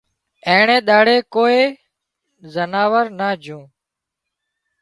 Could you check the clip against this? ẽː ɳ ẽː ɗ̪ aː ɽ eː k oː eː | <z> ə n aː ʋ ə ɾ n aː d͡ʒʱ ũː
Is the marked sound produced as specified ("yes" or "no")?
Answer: yes